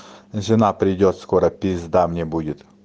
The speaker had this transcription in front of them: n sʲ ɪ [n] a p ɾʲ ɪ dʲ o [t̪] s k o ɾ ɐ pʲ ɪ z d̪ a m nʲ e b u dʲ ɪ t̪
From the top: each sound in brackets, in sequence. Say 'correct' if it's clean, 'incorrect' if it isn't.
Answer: correct, correct

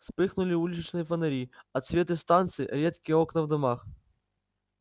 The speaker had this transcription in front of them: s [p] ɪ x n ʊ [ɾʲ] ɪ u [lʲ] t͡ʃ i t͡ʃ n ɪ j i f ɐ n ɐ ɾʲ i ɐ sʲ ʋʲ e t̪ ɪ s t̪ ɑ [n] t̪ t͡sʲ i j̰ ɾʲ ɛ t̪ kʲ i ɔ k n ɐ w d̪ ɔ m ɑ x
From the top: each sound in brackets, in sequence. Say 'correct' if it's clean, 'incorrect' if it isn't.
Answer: correct, incorrect: lʲ, correct, correct

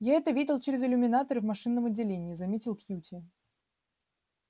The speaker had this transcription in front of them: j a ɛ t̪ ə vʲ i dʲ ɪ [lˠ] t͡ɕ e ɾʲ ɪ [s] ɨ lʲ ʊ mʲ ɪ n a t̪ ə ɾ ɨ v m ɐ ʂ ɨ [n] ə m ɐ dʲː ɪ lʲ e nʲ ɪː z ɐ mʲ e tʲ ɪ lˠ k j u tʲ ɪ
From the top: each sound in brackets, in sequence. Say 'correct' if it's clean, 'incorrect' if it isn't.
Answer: correct, incorrect: z, incorrect: nː

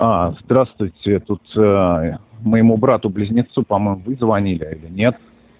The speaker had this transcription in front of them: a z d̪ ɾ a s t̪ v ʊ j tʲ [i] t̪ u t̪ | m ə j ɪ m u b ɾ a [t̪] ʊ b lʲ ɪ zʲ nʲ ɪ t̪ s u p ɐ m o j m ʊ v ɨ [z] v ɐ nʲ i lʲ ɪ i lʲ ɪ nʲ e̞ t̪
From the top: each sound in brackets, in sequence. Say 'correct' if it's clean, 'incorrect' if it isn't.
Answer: incorrect: ɪ, correct, correct

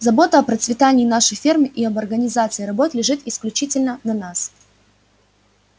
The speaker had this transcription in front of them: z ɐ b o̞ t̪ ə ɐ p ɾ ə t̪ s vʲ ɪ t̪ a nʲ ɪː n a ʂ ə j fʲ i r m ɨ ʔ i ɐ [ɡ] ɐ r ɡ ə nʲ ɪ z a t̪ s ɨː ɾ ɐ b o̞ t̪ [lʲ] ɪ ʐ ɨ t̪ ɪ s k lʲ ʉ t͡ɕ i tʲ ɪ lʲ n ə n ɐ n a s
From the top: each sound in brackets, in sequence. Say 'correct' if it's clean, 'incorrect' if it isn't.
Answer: incorrect: b, correct

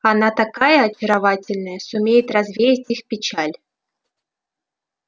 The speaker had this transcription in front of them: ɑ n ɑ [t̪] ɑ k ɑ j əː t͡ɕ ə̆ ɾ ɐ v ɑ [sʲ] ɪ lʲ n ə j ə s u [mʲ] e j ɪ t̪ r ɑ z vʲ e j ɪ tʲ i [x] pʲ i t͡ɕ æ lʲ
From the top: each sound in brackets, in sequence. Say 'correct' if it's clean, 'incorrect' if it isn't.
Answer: correct, incorrect: tʲ, correct, correct

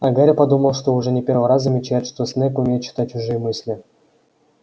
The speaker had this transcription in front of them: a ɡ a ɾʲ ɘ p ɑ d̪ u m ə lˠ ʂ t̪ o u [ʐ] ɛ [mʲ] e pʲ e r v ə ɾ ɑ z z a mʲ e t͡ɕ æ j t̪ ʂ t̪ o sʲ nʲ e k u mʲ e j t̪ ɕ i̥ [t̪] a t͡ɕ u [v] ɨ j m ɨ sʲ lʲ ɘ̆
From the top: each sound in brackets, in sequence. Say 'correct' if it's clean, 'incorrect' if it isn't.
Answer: correct, incorrect: nʲ, correct, incorrect: ʐ

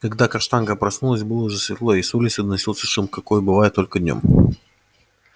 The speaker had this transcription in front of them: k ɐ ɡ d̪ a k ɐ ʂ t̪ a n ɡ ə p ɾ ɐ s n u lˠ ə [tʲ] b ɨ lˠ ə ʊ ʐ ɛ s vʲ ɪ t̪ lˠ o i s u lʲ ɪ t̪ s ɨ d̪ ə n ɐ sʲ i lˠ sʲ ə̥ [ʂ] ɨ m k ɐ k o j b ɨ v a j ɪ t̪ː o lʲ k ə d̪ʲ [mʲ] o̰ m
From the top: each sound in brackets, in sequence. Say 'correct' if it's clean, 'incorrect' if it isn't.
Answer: incorrect: sʲ, correct, incorrect: nʲ

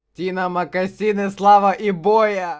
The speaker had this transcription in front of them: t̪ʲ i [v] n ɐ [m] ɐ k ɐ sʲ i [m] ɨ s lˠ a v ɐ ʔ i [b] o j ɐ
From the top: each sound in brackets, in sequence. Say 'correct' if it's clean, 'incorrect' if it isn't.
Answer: incorrect: none, correct, incorrect: n, correct

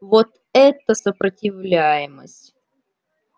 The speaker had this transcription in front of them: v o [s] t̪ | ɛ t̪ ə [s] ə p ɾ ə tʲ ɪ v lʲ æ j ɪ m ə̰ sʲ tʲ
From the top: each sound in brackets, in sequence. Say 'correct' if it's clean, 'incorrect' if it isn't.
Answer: incorrect: none, correct

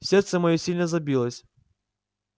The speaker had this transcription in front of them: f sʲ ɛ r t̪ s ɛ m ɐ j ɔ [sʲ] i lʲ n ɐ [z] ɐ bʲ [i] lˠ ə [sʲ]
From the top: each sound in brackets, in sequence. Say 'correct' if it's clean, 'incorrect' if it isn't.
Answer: correct, correct, correct, correct

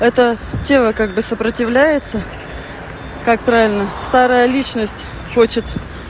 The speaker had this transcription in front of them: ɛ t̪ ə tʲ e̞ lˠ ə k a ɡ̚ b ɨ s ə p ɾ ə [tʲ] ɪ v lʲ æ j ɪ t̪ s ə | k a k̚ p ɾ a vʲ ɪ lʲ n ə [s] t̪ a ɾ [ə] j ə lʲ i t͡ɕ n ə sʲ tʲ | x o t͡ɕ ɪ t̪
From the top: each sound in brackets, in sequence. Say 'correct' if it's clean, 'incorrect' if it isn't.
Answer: correct, correct, correct

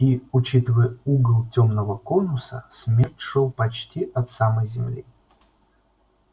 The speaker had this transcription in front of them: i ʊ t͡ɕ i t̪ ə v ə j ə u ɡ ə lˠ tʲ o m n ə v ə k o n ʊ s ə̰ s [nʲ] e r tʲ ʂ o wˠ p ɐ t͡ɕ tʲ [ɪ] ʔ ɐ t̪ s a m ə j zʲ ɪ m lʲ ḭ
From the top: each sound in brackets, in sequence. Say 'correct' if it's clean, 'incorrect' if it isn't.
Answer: incorrect: mʲ, incorrect: i

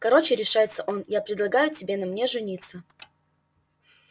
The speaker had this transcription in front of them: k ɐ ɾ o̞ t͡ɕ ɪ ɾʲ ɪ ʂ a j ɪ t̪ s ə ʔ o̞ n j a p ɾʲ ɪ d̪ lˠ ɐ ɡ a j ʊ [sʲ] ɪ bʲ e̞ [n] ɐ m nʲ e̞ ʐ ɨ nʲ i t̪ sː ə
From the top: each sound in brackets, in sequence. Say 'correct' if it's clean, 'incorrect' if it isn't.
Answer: incorrect: tʲ, correct

